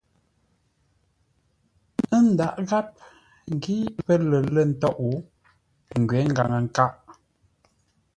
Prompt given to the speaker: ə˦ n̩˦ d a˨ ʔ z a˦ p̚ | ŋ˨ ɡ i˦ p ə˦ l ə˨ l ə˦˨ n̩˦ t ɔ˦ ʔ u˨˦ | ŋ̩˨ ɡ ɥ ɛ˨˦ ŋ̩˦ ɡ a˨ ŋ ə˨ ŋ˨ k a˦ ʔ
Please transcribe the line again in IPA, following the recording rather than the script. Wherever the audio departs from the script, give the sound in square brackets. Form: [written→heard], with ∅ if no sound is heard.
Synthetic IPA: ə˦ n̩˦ d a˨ ʔ [z→ɣ] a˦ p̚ | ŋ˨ ɡ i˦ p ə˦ l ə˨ l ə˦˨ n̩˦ t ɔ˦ ʔ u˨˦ | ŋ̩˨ ɡ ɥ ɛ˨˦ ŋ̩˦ ɡ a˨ ŋ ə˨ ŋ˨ k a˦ ʔ